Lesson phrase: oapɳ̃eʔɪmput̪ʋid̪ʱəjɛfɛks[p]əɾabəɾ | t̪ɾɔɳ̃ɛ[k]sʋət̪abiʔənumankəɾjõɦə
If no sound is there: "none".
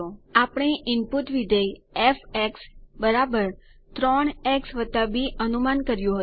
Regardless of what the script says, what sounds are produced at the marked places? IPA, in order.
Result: b, k

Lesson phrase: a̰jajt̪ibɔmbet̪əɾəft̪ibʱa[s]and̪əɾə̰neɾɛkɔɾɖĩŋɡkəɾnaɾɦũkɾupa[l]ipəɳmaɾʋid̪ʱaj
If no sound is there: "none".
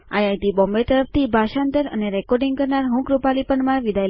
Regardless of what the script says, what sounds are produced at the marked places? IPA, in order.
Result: ʃ, l

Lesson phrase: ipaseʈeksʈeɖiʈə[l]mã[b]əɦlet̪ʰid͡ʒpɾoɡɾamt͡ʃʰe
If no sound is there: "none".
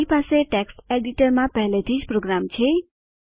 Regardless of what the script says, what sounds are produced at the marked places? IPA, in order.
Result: ɾ, p

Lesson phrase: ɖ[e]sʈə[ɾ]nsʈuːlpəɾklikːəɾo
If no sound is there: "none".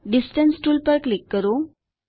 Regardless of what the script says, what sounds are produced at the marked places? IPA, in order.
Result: i, none

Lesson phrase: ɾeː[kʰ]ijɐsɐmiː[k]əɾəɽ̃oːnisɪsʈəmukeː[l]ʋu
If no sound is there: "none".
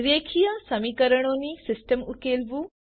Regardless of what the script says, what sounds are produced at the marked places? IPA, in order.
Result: kʰ, k, l

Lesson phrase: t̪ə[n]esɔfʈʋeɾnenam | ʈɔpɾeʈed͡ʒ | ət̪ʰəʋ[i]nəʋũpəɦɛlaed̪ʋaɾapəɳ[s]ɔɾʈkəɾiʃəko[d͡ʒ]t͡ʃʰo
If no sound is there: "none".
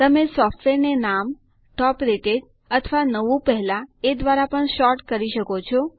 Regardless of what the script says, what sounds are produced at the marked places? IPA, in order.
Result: m, a, ʃ, none

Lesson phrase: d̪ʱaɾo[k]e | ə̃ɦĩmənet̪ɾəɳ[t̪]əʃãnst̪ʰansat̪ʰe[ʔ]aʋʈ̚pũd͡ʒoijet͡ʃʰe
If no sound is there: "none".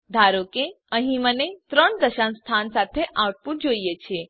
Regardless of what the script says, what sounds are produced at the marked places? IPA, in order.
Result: k, d̪, ʔ

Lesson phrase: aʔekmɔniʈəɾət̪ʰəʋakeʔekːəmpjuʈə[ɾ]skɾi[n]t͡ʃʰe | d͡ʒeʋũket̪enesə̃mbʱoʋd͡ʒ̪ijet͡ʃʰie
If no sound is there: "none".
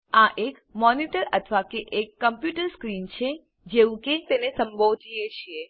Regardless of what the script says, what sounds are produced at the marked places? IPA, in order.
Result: ɾ, n

